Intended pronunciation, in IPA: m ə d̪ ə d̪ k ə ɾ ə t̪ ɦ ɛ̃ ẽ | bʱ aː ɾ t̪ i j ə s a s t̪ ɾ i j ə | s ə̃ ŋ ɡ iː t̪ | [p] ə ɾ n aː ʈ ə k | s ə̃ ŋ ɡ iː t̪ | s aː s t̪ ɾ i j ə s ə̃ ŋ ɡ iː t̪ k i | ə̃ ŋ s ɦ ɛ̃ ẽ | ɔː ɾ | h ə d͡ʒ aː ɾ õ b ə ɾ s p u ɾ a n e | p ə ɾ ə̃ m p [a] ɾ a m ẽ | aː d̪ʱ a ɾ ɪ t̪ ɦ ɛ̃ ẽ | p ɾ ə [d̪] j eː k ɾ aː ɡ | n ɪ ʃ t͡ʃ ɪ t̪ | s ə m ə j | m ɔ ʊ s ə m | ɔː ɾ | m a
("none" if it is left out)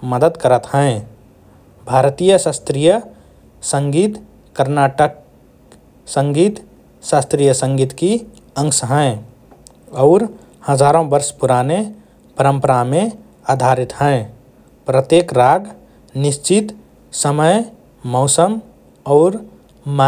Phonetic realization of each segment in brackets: k, ə, t̪

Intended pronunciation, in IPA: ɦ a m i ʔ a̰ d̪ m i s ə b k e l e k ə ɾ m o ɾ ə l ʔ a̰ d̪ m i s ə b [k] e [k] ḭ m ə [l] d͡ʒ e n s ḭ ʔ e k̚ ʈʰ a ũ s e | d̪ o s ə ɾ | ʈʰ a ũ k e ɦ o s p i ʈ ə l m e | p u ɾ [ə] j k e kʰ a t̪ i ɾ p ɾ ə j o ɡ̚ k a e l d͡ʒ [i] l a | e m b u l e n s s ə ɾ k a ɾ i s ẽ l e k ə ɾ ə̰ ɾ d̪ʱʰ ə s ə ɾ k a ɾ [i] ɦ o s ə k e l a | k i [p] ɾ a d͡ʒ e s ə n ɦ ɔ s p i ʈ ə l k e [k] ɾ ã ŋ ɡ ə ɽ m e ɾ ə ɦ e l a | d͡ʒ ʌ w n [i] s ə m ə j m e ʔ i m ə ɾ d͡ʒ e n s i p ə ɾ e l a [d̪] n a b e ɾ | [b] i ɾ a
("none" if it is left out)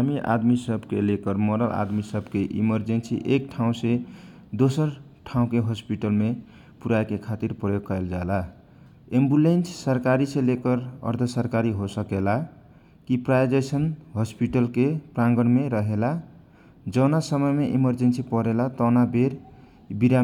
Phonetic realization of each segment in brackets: k, ʔ, ɾ, a, a, i, p, p, a, t̪, b

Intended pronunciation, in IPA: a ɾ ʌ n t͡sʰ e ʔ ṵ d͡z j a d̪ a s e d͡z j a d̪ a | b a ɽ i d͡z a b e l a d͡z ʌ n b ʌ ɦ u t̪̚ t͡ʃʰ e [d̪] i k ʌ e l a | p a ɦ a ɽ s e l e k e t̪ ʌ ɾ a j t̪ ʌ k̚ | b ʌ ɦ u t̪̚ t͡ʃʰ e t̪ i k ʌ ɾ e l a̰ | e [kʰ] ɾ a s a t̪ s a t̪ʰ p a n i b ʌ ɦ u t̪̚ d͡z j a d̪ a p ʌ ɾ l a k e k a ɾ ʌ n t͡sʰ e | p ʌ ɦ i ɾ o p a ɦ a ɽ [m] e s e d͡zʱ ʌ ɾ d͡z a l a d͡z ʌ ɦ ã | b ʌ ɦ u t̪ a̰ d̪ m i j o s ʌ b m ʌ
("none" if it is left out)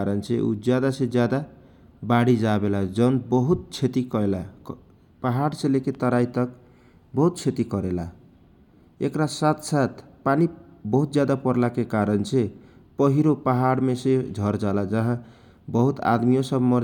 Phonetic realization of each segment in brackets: t̪, k, m

